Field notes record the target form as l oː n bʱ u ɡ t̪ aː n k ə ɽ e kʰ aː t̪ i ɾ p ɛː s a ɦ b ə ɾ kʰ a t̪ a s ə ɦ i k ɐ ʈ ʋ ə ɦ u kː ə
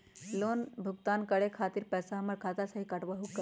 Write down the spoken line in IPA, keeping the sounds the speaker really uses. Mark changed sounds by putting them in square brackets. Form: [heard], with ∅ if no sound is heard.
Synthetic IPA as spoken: l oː n bʱ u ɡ t̪ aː n k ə ɽ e kʰ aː t̪ i ɾ p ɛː s a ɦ [m] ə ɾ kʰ a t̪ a s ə ɦ i k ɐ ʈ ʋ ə ɦ u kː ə